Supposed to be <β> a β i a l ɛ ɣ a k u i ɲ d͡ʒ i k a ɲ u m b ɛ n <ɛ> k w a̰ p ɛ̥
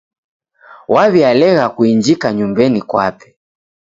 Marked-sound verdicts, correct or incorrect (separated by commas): incorrect, incorrect